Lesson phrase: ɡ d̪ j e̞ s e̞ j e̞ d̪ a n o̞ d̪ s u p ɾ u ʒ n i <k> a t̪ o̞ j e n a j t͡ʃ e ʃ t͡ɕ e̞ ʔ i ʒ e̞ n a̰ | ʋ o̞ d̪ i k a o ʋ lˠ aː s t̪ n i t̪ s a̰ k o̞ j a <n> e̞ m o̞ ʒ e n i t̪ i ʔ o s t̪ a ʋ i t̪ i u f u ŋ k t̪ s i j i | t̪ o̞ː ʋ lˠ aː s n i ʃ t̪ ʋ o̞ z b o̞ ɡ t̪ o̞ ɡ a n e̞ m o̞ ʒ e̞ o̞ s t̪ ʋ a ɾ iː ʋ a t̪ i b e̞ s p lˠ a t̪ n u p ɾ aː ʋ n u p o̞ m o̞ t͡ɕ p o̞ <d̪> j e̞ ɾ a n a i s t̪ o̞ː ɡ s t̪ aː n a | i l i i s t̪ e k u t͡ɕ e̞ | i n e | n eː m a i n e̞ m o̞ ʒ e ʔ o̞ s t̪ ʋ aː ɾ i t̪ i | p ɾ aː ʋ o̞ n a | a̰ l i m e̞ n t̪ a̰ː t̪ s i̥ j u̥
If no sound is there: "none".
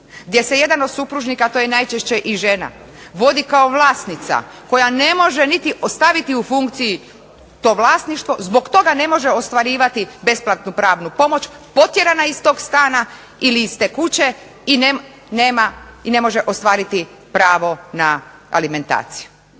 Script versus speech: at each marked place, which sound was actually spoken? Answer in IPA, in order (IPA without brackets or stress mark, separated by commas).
k, n, t̪